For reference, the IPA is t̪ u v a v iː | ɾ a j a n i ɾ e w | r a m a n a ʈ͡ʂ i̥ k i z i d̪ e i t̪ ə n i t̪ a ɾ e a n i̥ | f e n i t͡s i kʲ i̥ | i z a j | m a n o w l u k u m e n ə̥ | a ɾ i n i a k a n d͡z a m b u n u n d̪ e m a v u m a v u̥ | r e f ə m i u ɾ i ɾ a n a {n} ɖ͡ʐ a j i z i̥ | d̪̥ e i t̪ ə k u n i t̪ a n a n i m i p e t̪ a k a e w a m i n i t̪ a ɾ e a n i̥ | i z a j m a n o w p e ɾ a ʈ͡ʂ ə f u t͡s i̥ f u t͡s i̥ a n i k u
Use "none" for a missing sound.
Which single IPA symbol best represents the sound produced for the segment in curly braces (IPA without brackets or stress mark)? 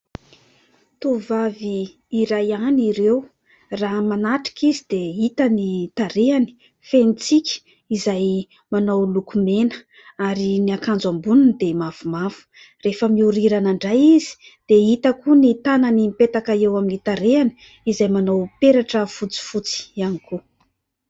ɳ